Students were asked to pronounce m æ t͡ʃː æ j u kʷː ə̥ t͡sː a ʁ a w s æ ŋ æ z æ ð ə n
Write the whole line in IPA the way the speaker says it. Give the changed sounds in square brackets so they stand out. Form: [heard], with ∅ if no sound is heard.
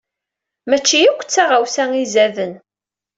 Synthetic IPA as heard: m æ t͡ʃː [i] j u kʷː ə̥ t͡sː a ʁ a w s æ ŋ [i] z æ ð ə n